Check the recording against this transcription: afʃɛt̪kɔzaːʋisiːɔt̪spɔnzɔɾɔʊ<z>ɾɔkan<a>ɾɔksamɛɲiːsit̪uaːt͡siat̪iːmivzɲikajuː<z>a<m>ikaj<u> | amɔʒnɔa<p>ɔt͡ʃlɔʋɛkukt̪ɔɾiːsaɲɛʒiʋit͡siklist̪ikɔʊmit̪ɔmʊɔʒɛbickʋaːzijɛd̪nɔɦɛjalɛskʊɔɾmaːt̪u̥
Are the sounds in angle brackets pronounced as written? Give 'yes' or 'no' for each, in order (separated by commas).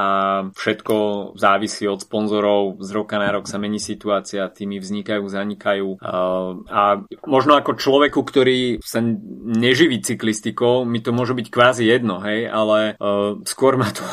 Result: yes, yes, yes, no, no, no